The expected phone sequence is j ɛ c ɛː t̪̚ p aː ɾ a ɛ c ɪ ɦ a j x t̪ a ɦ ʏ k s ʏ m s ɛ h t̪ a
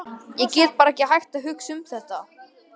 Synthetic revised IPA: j ɛ c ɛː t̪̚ p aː ɾ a ɛ c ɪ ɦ a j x t̪ a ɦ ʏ k s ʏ m θ ɛ h t̪ a